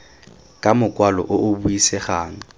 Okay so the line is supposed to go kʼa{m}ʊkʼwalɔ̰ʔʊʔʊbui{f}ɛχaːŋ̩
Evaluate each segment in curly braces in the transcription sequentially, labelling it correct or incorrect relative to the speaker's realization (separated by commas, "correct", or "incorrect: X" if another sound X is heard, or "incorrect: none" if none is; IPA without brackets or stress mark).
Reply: correct, incorrect: s